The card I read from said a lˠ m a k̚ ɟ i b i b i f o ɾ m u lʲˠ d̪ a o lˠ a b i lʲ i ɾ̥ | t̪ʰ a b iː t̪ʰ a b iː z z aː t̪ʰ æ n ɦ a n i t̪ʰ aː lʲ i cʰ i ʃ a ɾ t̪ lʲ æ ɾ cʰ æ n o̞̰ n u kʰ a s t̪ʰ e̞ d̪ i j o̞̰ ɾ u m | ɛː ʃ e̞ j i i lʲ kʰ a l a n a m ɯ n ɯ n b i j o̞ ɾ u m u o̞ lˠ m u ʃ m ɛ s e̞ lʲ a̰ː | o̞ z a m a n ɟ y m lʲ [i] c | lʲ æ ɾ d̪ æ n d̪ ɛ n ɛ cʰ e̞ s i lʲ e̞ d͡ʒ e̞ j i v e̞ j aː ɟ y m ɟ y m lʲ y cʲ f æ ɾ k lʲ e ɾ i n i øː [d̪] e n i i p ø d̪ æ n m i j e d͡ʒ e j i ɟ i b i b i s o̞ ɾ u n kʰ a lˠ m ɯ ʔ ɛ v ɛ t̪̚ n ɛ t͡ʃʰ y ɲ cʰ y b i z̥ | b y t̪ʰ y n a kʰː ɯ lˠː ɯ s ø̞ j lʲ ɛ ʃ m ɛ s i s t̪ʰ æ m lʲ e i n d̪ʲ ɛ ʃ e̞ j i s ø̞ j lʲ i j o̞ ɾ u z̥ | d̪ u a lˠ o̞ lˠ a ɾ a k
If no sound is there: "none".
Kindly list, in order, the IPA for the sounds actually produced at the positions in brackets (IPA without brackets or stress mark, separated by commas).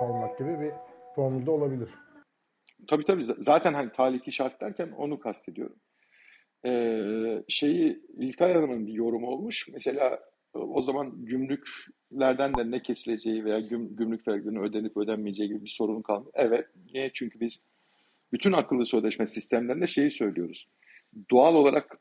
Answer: y, d̪